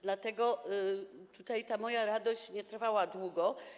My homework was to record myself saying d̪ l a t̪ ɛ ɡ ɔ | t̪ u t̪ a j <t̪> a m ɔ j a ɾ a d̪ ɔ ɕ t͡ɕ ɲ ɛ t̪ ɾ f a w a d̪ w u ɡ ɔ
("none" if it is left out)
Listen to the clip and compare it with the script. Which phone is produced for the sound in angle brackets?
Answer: t̪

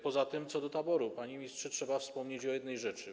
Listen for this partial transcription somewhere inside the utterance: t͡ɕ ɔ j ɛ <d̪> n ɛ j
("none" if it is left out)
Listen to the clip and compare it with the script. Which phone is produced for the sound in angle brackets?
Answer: d̪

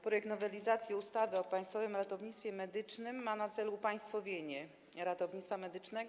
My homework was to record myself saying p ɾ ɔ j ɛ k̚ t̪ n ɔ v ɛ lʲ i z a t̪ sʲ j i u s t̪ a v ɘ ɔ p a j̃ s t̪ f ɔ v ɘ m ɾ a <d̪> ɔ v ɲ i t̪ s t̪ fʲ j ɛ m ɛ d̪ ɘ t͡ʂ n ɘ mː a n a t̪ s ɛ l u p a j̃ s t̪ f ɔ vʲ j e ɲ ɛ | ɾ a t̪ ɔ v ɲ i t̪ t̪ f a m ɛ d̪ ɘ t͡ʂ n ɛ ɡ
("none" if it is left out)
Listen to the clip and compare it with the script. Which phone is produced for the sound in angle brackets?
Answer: t̪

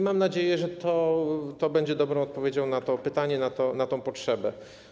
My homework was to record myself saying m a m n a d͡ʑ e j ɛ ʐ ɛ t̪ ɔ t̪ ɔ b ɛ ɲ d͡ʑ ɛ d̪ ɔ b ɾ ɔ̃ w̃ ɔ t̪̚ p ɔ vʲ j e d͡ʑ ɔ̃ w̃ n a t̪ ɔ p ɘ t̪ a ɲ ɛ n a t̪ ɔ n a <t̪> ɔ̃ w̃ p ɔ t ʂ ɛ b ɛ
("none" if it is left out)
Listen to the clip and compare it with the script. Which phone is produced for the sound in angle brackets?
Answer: t̪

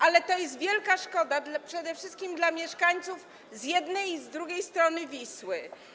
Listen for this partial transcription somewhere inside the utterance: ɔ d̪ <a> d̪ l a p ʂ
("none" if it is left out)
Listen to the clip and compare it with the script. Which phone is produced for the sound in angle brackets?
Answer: a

